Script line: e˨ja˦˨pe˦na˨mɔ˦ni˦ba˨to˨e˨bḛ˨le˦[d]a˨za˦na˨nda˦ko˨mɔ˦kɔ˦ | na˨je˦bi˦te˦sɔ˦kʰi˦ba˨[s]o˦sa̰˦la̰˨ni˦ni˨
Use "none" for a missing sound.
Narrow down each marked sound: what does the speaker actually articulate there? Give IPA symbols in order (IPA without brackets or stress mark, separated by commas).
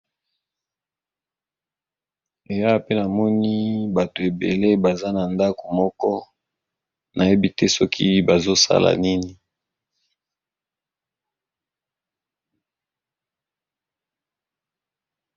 b, z